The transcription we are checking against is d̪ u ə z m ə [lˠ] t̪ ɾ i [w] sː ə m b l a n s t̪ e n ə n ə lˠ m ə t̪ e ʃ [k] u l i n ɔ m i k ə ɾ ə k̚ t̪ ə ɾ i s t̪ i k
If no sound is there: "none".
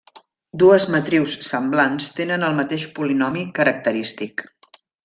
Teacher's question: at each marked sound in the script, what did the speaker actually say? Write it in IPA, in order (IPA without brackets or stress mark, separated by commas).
none, w, p